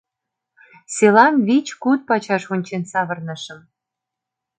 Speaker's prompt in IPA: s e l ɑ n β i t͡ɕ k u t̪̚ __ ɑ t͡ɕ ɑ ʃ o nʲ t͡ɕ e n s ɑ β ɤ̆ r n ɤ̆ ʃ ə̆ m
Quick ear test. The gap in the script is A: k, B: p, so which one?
B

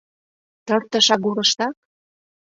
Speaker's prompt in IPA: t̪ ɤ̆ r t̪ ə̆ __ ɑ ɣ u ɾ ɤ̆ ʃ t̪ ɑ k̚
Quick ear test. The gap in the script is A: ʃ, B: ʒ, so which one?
A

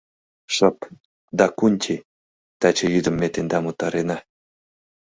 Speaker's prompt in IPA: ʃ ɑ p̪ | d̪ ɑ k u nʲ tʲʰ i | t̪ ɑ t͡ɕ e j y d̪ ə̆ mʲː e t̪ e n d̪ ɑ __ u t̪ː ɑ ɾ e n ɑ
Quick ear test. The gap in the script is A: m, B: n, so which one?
A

